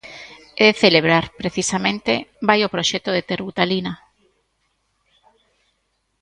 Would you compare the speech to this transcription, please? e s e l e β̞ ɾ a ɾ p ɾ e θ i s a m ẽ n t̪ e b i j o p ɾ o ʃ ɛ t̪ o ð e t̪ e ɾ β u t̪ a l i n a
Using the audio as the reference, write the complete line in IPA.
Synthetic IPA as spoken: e θ e l e β̞ ɾ a ɾ p ɾ e θ i s a m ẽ n t̪ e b a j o p ɾ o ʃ ɛ t̪ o ð e t̪ e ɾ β u t̪ a l i n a